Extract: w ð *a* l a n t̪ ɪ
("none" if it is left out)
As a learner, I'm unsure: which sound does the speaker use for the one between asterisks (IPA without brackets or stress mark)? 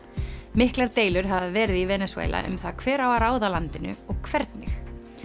a